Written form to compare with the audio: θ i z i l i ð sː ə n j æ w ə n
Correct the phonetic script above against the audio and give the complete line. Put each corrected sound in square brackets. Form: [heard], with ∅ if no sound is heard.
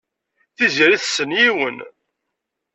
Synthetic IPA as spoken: θ i z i [ɾ] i [θ] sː ə n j [i] w ə n